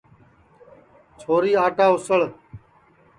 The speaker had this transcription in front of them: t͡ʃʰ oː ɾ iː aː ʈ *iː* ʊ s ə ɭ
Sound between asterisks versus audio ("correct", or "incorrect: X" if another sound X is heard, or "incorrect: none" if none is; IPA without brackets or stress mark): incorrect: aː